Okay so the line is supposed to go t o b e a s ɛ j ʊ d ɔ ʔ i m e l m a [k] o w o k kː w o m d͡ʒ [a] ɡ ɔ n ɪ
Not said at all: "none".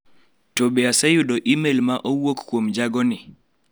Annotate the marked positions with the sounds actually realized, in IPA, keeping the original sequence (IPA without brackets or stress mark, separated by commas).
ʔ, a